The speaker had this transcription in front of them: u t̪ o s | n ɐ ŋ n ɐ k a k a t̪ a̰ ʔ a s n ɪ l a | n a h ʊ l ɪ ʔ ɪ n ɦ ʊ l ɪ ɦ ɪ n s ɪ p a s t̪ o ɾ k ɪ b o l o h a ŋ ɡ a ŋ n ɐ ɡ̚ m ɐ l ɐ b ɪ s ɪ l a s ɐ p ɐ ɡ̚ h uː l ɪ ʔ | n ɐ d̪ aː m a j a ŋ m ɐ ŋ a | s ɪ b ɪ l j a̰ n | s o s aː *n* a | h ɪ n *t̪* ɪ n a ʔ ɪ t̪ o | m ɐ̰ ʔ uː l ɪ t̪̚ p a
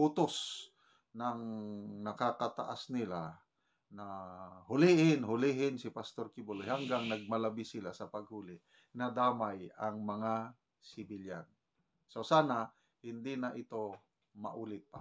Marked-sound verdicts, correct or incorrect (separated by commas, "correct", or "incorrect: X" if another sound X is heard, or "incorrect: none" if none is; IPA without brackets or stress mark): correct, incorrect: d̪